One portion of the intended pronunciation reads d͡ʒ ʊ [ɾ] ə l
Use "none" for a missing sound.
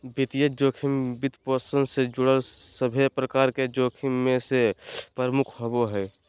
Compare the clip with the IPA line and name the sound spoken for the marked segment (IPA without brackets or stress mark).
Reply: ɽ